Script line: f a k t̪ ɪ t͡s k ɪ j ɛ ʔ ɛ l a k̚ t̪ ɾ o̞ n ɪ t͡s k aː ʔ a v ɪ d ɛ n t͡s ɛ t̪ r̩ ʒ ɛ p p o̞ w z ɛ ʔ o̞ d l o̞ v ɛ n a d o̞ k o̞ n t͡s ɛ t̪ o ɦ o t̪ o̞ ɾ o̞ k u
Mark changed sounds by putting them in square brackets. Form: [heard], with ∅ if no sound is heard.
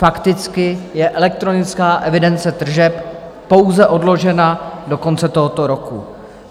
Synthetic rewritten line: f a k t̪ ɪ t͡s k ɪ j ɛ ʔ ɛ l [ɛ] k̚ t̪ ɾ o̞ n ɪ t͡s k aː ʔ [ɛ] v ɪ d ɛ n t͡s ɛ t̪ r̩ ʒ ɛ p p o̞ w z ɛ ʔ o̞ d l o̞ [ʒ] ɛ n a d o̞ k o̞ n t͡s ɛ t̪ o ɦ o t̪ o̞ ɾ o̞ k u